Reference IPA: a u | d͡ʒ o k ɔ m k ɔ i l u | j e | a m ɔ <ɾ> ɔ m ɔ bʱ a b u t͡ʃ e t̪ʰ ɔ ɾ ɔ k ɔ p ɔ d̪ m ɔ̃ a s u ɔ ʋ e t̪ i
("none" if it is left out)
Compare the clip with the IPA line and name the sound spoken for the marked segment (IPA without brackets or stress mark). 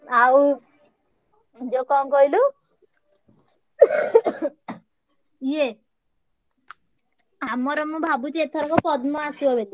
ɾ